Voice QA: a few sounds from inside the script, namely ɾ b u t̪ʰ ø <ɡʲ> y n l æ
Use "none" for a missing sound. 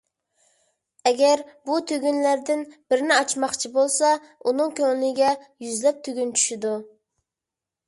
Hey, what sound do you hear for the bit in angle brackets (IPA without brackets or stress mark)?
ɡʲ